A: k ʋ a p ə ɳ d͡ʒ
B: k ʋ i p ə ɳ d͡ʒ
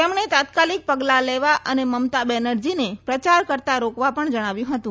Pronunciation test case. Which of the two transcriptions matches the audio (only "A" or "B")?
A